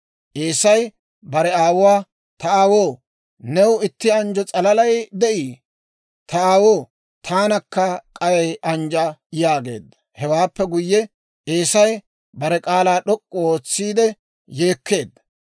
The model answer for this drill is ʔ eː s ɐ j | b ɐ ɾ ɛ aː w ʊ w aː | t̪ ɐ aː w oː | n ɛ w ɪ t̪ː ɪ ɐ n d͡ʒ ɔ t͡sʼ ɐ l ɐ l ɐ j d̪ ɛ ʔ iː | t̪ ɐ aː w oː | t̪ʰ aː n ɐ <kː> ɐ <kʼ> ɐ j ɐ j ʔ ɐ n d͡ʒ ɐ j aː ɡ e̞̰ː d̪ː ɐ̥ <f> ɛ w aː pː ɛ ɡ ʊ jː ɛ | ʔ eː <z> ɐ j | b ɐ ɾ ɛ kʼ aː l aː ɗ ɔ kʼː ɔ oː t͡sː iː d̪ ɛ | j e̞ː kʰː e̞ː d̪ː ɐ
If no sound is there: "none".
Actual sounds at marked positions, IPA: kː, kʼ, h, s

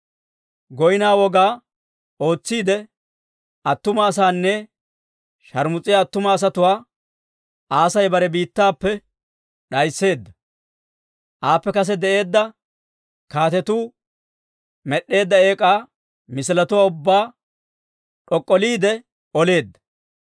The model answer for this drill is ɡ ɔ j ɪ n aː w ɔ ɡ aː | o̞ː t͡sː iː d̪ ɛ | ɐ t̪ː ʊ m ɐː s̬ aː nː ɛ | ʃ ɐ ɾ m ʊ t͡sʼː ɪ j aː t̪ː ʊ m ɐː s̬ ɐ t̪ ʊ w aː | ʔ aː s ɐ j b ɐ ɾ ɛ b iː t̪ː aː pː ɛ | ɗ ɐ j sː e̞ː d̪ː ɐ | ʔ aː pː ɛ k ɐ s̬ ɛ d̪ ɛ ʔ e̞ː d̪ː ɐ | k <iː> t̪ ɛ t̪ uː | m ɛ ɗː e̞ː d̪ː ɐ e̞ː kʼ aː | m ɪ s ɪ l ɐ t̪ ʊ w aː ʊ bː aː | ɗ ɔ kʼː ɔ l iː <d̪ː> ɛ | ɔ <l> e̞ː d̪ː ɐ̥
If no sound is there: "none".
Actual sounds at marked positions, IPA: aː, d̪, l

